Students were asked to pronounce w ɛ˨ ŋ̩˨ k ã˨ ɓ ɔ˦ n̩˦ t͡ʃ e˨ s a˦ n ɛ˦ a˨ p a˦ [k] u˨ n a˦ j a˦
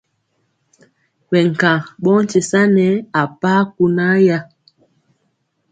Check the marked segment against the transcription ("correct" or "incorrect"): correct